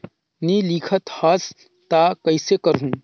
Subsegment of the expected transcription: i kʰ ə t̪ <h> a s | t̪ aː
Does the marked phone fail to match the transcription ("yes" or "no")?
no